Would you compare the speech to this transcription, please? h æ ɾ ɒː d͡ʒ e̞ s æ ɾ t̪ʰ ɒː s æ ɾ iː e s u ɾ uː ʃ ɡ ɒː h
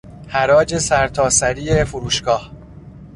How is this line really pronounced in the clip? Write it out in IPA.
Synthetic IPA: h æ ɾ ɒː d͡ʒ e̞ s æ ɾ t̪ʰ ɒː s æ ɾ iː e f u ɾ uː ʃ ɡ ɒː h